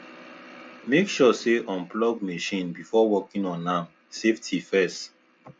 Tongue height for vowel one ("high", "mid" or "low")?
mid